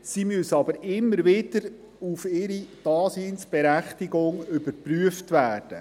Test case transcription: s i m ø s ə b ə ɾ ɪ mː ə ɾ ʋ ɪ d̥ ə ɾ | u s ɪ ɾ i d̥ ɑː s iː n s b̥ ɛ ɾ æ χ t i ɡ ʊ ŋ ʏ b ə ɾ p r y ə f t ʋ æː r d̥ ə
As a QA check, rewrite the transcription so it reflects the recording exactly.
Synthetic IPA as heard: s i m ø s ɑ b ə ɾ ɪ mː ə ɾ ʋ ɪ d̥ ə ɾ | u f ɪ ɾ i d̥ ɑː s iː n s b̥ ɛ ɾ æ χ t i ɡ ʊ ŋ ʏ b ə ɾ p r y ə f t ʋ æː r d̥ ə